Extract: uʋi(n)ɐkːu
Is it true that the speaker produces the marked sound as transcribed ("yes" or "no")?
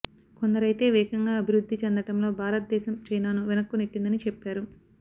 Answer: yes